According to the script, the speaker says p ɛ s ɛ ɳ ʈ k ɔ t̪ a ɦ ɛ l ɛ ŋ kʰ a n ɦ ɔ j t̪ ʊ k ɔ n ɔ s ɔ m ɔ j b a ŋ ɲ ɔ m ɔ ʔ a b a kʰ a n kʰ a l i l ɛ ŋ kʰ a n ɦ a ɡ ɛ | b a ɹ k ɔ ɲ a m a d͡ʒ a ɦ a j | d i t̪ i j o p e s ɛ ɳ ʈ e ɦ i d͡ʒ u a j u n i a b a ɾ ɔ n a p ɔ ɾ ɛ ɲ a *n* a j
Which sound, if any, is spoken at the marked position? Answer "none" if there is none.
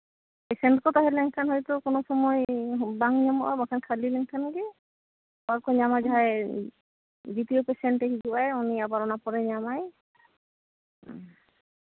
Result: m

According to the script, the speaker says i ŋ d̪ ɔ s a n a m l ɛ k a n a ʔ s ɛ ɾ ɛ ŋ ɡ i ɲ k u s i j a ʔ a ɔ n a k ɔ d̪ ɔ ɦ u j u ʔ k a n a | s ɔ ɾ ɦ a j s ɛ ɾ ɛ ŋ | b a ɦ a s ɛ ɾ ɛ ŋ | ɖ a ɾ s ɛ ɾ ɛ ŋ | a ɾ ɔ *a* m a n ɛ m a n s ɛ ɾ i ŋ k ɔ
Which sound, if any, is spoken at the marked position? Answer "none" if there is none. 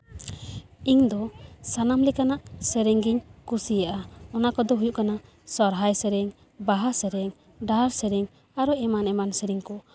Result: ɛ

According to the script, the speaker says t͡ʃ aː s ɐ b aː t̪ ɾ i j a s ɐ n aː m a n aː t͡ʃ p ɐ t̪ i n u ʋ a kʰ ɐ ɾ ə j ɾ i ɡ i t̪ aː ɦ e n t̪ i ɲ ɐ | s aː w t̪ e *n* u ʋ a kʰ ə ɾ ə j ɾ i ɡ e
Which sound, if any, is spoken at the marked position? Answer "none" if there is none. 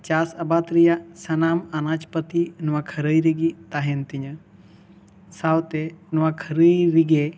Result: n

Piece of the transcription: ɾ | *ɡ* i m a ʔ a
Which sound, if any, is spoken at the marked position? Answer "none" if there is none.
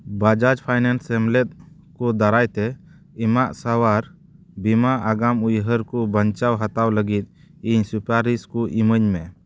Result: b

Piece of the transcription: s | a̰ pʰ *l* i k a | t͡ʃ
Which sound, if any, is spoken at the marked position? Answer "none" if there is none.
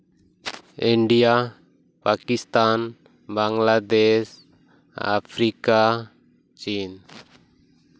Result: ɾ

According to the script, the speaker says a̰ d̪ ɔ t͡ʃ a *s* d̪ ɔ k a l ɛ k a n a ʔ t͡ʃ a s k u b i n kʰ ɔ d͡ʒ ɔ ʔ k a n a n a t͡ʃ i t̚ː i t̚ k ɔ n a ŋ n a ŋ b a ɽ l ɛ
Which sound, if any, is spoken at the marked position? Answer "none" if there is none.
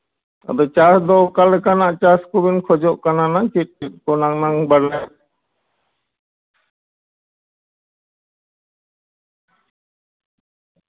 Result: s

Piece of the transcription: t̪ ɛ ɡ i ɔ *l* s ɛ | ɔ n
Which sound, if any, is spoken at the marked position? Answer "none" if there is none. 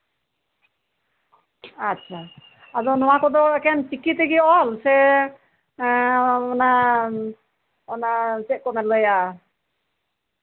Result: l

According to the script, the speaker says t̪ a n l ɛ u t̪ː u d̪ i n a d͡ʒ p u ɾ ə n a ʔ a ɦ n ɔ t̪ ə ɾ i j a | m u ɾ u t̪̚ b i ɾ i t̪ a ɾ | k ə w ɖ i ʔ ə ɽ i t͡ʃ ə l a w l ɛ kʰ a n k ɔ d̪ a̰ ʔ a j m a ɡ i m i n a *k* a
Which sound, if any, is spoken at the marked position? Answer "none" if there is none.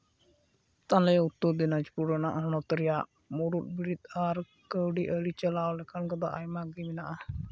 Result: ʔ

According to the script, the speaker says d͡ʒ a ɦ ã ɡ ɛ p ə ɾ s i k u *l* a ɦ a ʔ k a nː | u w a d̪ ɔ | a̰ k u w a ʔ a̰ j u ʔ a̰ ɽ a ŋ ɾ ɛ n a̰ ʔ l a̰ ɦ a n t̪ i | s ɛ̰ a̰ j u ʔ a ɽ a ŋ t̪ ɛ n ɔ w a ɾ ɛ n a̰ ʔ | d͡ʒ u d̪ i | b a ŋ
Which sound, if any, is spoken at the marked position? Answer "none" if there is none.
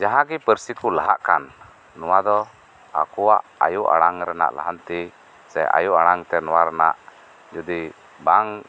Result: l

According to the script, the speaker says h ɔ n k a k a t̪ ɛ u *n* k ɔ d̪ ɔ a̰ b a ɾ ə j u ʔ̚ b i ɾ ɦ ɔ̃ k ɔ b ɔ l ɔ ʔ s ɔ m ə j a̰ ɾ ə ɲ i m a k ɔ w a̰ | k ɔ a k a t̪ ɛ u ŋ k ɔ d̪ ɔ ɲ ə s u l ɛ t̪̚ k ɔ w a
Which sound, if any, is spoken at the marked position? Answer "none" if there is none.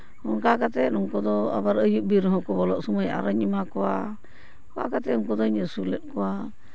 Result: ŋ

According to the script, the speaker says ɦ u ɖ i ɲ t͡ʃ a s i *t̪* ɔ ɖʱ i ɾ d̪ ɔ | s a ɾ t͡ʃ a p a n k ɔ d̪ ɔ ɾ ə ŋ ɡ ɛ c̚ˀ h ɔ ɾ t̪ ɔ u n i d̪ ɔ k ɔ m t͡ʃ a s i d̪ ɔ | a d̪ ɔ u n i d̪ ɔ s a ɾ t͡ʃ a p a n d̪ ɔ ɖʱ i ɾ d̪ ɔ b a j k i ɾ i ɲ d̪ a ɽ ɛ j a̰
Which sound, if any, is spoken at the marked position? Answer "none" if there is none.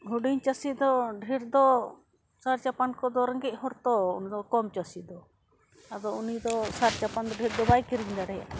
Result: d̪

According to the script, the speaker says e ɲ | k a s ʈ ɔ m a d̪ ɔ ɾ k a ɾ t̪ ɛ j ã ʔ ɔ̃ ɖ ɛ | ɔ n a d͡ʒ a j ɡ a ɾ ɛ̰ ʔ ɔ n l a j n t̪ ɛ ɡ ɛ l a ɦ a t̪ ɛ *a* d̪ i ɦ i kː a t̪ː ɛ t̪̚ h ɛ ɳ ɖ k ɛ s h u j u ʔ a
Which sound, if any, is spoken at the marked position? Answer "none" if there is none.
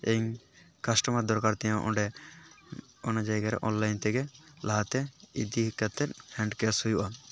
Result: i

